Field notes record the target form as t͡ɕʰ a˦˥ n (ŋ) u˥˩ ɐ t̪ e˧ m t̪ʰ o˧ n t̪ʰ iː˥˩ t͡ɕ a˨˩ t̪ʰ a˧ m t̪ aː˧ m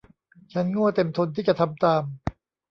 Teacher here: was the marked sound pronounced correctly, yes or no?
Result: yes